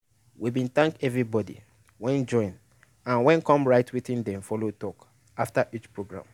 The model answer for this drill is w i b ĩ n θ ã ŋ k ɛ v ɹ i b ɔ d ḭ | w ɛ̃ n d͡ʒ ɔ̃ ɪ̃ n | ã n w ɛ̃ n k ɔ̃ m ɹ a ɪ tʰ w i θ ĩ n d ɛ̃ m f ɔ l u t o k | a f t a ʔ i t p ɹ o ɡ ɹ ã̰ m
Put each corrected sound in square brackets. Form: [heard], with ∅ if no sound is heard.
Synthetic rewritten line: w i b ĩ n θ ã ŋ k ɛ v ɹ i b ɔ d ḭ | w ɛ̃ n d͡ʒ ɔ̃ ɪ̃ n | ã n w ɛ̃ n k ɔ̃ m ɹ a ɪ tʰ w i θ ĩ n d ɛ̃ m f ɔ l [o] t [ɔ] k | a f t a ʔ i [t͡ʃ] p ɹ o ɡ ɹ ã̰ m

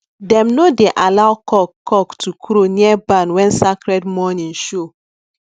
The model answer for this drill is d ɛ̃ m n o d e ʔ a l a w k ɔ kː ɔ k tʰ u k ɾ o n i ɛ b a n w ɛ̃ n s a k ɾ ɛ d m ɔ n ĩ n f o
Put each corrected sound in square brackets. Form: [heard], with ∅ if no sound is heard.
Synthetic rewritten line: d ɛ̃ m n o d e ʔ a l a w k ɔ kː ɔ k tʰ u k ɾ o n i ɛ b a n w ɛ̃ n s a k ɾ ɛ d m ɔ n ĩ n [ʃ] o

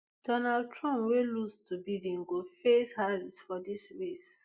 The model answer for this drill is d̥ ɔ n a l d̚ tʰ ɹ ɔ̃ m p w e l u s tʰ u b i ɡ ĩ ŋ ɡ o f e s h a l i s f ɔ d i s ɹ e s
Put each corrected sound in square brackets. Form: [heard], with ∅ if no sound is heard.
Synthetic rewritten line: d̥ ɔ n a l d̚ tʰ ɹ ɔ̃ m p w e l u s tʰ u b i [d] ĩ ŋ ɡ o f e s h a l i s f ɔ d i s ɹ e s

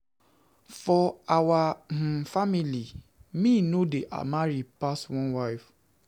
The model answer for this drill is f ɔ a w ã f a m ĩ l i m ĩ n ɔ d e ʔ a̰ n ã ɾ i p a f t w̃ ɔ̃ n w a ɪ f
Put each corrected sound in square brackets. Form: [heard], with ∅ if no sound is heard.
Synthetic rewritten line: f ɔ a w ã f a m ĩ l i m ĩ n [o] d e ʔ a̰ [m] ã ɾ i p a [s] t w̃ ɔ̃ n w a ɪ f

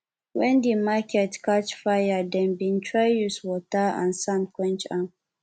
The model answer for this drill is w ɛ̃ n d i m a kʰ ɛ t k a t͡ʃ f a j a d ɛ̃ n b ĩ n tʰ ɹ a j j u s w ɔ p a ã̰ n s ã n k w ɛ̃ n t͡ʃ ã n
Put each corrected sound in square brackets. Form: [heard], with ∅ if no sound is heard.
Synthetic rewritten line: w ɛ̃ n d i m a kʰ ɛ t k a t͡ʃ f a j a d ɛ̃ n b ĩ n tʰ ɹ a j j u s w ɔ [t] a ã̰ n s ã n k w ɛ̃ n t͡ʃ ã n

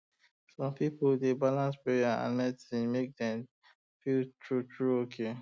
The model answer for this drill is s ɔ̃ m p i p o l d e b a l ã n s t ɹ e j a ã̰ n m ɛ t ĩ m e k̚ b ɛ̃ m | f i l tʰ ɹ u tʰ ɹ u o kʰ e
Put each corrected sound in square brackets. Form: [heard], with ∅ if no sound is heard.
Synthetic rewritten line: s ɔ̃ m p i p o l d e b a l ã n s [p] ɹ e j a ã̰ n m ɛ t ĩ m e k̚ [d] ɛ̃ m | f i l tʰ ɹ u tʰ ɹ u o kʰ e

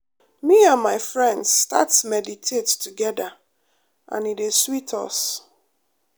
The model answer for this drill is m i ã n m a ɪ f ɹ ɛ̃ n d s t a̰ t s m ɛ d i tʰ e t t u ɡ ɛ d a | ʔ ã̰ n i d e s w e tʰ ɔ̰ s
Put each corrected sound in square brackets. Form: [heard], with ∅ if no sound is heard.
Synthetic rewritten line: m i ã n m a ɪ f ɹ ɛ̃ n d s t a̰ t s m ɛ d i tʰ e t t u ɡ ɛ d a | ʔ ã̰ n i d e s w [i] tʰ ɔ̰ s

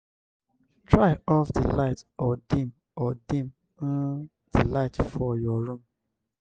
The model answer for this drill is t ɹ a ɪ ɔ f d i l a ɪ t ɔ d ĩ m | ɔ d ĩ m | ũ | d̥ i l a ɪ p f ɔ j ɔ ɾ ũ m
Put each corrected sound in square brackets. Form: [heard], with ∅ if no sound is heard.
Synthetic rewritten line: t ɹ a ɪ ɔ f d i l a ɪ t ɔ d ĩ m | ɔ d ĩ m | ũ | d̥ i l a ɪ [t] f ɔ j ɔ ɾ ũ m

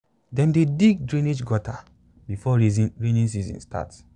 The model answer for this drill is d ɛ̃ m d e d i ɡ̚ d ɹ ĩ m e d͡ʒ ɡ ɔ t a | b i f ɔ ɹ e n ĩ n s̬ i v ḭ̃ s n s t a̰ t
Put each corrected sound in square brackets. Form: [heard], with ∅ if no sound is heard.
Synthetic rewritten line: d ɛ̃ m d e d i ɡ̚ d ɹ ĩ [n] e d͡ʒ ɡ ɔ t a | b i f ɔ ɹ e n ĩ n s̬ i [z] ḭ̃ [∅] n s t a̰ t

